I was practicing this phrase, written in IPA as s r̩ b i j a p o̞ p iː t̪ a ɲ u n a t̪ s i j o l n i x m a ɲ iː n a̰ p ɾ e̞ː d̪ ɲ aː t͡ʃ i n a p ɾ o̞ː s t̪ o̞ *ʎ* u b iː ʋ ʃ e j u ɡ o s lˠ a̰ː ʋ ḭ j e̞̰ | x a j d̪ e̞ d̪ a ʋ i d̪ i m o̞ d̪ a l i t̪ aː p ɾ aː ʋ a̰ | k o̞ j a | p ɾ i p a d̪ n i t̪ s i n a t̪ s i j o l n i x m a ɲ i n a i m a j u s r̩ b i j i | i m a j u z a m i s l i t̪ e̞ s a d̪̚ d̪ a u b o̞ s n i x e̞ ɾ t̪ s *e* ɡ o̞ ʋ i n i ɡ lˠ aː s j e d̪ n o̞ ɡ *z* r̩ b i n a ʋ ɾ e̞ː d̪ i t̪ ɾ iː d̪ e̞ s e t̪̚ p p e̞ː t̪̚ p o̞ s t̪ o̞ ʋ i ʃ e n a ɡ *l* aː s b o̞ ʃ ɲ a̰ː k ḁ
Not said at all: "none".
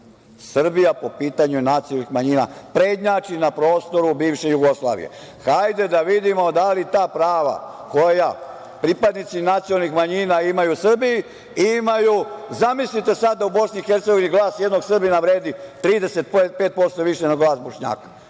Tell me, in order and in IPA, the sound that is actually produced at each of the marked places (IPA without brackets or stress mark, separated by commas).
ɾ, e, s, l